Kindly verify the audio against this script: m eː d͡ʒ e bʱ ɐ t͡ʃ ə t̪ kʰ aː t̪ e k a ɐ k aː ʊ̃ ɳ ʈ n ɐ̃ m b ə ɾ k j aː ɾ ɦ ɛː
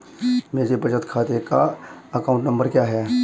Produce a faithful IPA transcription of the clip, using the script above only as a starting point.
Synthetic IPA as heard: m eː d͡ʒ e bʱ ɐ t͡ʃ ə t̪ kʰ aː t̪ e k a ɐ k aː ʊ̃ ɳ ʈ n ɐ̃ m b ə ɾ k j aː ɦ ɛː